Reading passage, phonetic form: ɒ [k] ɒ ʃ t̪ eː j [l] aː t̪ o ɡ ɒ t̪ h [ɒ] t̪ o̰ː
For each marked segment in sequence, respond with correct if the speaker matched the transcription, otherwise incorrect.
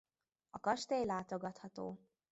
correct, correct, correct

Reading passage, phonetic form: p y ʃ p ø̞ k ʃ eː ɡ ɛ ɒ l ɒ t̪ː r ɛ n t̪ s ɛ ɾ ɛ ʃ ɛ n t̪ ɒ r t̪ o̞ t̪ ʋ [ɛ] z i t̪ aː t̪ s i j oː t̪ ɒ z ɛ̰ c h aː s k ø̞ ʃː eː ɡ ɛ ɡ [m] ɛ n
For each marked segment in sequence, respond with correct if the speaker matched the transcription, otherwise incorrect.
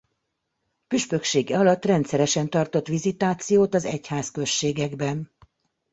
incorrect: i, incorrect: b

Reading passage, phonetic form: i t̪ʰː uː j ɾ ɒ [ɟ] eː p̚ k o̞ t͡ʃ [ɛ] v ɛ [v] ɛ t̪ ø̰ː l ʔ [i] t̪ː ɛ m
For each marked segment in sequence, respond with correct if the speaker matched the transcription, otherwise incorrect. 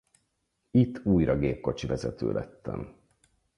incorrect: ɡ, incorrect: i, incorrect: z, incorrect: ɛ

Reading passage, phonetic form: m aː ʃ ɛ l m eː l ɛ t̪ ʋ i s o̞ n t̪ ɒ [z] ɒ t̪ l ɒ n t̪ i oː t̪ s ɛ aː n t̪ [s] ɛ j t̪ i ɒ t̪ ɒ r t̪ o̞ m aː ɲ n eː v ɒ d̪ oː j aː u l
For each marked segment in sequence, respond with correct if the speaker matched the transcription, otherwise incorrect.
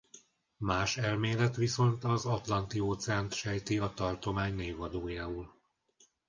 correct, incorrect: ʃ

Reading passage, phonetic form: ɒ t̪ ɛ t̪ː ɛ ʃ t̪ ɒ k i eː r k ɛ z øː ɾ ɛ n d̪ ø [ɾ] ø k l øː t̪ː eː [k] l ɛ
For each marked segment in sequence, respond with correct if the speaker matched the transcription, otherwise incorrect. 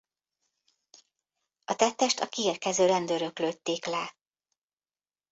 correct, correct

